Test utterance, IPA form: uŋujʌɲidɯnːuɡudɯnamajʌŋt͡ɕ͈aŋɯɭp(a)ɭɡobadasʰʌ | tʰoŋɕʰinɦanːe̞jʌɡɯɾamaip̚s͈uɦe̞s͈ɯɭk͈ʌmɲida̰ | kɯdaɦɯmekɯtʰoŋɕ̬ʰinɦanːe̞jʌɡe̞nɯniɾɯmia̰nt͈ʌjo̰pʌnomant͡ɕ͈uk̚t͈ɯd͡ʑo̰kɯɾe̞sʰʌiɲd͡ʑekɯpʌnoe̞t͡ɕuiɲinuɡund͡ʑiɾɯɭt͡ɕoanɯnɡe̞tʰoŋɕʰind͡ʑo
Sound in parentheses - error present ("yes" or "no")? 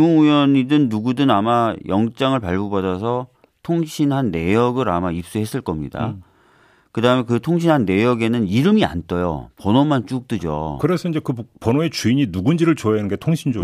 no